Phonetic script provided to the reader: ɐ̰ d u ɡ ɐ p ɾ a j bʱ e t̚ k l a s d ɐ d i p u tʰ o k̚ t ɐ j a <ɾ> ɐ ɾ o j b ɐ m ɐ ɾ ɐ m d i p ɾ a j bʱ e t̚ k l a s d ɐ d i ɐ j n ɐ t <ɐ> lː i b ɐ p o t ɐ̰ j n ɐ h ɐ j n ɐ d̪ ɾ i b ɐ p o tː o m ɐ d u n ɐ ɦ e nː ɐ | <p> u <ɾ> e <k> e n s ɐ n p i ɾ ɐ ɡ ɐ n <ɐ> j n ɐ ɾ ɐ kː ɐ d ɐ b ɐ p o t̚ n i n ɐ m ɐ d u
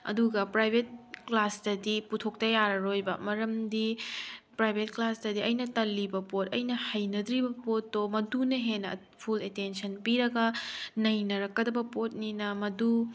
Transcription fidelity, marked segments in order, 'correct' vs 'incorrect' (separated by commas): correct, correct, incorrect, incorrect, incorrect, correct